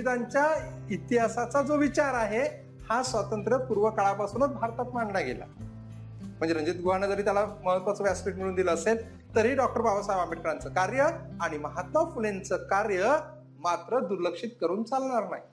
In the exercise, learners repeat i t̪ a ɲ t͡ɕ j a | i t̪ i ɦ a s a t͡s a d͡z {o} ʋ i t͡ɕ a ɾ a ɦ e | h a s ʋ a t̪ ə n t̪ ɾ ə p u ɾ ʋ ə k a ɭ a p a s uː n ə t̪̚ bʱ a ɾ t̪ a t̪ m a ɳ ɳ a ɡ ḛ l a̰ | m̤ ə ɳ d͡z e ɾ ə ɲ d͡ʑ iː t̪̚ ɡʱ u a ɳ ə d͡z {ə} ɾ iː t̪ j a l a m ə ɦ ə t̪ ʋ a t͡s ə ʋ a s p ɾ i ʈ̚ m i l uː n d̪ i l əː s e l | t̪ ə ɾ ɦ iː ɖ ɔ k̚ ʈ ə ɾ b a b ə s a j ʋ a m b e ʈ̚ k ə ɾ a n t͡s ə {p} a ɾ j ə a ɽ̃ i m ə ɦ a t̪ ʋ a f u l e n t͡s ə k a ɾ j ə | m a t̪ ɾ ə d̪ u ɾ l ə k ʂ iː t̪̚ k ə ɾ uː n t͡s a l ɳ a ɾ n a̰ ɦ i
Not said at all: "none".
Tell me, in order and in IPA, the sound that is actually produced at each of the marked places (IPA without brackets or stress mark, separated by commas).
o, ə, k